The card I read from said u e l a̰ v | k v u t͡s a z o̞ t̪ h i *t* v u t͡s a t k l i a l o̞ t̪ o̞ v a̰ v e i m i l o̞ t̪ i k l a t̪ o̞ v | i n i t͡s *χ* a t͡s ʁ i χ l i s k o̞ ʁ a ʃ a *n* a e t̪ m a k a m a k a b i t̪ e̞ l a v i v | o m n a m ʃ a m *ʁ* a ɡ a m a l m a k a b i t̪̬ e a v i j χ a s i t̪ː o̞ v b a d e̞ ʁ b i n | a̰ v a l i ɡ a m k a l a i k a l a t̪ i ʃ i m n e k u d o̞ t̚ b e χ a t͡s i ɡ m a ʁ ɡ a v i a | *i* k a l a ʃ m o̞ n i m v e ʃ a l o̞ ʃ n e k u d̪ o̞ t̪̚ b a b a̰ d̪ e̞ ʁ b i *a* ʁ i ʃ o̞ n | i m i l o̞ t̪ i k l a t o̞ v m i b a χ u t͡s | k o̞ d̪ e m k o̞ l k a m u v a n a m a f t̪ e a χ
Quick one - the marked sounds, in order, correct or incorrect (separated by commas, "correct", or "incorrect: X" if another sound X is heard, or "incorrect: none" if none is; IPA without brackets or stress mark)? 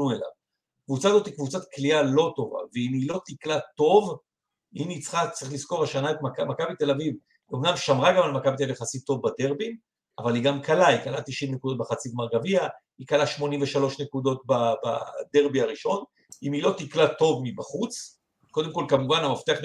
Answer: incorrect: k, correct, correct, correct, correct, correct